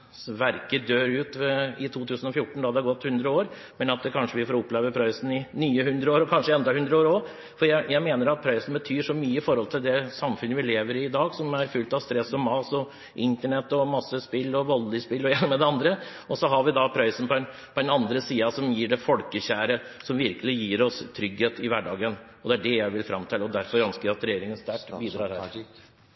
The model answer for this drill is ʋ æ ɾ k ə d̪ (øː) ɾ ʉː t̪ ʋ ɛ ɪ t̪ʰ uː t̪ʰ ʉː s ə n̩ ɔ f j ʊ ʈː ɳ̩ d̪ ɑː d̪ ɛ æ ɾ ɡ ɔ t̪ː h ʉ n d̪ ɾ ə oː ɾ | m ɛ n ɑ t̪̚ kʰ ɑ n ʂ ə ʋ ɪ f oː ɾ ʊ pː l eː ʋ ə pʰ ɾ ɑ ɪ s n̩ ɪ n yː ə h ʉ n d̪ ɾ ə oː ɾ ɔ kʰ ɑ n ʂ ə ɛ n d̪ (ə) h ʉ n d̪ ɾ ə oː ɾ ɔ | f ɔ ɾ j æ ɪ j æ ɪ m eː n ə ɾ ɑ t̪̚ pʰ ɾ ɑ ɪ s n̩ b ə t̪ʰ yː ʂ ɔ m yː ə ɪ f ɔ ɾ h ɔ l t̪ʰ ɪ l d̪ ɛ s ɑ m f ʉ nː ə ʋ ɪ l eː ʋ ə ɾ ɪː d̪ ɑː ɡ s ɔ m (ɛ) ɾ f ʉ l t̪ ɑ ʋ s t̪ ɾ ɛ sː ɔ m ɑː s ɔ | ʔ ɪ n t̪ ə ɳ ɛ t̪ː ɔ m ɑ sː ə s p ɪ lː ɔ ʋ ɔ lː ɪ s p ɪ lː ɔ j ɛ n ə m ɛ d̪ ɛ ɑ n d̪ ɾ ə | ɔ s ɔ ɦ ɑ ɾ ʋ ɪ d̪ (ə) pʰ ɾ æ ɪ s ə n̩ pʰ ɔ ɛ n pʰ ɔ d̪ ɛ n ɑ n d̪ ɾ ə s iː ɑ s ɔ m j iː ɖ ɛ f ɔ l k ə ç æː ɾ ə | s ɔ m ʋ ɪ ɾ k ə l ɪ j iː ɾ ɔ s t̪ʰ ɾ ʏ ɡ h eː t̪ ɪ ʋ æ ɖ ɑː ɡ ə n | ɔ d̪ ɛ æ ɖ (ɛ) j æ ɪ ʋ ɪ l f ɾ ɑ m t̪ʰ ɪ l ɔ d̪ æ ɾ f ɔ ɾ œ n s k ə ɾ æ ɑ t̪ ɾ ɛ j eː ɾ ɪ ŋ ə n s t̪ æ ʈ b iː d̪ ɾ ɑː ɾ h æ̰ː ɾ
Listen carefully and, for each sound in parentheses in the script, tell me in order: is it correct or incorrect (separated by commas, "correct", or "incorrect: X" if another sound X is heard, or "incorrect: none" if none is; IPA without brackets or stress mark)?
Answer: correct, incorrect: ɑ, incorrect: æ, incorrect: ɑ, correct